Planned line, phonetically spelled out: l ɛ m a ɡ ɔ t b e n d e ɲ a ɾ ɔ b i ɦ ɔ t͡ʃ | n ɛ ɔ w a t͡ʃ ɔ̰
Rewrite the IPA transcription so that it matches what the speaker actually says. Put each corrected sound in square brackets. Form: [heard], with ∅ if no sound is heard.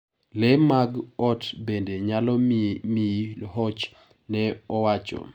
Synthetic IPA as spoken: l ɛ m a ɡ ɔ t b e n d e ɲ a [l] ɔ [m] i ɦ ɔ t͡ʃ | n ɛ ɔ w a t͡ʃ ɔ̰

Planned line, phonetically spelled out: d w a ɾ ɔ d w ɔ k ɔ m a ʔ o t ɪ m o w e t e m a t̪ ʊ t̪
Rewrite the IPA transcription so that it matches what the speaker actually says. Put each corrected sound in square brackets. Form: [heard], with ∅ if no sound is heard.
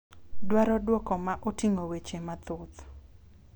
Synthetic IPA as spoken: d w a ɾ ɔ d w ɔ k ɔ m a ʔ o t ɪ [ŋ] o w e [t͡ʃ] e m a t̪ ʊ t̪

